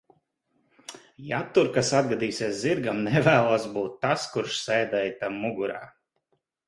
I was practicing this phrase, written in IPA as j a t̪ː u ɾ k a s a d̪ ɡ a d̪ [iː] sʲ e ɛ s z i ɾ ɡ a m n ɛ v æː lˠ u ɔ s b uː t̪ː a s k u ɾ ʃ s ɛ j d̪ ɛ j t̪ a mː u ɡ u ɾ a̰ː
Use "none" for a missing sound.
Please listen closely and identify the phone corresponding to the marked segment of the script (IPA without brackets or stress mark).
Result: iː